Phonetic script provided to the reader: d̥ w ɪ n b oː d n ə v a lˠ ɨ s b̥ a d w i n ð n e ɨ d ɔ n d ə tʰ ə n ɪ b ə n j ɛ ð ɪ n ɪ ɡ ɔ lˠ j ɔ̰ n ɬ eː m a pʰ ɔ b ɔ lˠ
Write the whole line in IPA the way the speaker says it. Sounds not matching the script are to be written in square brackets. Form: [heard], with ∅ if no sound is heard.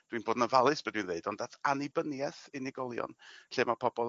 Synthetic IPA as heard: d̥ w [i] n b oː d n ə v a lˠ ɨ s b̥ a d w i n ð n e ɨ d ɔ n d [a] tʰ [a] n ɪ b ə n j ɛ [θ] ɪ n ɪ ɡ ɔ lˠ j ɔ̰ n ɬ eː m a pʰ ɔ b ɔ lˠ